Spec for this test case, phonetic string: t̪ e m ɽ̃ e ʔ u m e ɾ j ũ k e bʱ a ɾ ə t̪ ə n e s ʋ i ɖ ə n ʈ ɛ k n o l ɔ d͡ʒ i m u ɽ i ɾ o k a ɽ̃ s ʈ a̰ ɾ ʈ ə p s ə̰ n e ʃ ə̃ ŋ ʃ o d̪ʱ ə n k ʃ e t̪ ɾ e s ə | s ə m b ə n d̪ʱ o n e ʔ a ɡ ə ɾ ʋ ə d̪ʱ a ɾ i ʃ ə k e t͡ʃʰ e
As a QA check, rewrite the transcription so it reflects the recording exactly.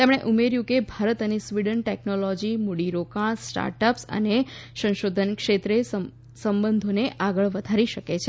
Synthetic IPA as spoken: t̪ e m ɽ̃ e ʔ u m e ɾ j ũ k e bʱ a ɾ ə t̪ ə n e s ʋ i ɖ ə n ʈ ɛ k n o l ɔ d͡ʒ i m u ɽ i ɾ o k a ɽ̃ s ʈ a̰ ɾ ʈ ə p s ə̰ n e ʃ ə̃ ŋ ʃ o d̪ʱ ə n k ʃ e t̪ ɾ e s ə | s ə m b ə n d̪ʱ o n e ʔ a ɡ ə ɭ ʋ ə d̪ʱ a ɾ i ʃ ə k e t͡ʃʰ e